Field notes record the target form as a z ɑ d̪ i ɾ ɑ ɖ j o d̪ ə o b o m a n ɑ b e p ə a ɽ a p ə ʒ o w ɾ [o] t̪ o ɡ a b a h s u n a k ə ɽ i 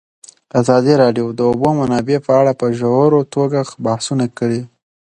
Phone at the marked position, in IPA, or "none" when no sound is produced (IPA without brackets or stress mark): o